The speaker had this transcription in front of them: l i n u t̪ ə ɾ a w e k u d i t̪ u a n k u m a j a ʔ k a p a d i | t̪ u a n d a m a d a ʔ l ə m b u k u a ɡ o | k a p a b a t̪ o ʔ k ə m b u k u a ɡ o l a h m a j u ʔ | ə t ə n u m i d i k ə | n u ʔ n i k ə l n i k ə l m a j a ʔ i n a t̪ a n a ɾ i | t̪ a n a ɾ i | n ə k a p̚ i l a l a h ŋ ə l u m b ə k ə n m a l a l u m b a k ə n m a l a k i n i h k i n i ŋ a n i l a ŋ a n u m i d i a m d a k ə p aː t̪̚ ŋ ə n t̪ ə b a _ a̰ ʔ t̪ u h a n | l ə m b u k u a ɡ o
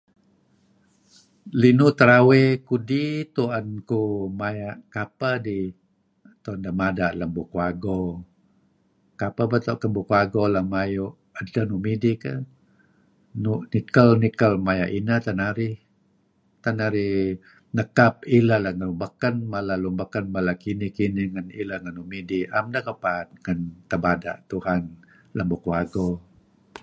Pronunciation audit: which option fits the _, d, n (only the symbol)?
d